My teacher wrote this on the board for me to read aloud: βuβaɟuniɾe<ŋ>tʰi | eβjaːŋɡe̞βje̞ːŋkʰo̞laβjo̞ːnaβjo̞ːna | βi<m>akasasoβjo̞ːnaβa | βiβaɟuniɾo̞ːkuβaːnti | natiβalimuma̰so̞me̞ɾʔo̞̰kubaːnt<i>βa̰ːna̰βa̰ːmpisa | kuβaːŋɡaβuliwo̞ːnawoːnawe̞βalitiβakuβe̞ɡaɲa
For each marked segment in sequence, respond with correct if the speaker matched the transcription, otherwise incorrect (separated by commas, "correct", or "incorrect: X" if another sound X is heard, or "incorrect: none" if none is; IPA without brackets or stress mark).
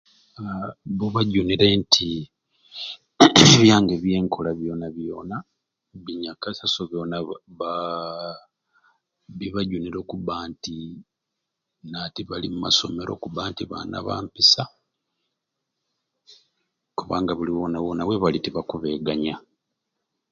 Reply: incorrect: n, incorrect: ɲ, correct